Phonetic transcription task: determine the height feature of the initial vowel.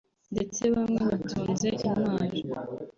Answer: mid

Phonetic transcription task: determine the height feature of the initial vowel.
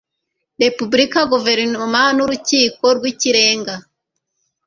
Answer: mid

